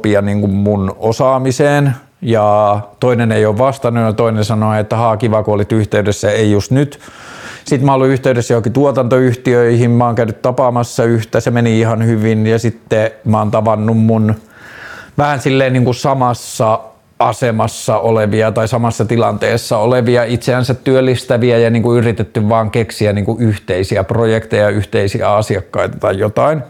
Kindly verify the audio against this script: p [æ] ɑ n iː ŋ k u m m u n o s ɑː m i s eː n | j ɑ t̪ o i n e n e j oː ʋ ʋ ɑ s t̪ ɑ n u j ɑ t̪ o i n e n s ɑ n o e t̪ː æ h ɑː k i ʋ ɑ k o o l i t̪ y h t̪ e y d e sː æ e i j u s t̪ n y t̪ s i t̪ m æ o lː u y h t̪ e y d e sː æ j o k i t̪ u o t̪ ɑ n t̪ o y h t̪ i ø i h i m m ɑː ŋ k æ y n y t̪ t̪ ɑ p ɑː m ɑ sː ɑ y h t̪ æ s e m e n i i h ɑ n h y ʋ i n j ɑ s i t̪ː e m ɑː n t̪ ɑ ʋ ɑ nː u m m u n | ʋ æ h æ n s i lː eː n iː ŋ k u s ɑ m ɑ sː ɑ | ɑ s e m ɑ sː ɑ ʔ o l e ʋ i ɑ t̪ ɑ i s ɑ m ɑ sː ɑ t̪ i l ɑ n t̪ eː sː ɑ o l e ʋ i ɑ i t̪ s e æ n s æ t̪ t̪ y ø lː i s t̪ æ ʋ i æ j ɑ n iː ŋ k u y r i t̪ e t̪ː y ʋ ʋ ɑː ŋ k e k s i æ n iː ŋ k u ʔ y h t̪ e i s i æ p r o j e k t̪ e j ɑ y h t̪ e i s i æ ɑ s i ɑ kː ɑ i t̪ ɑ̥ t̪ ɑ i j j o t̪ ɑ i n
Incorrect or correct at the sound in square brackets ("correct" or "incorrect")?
incorrect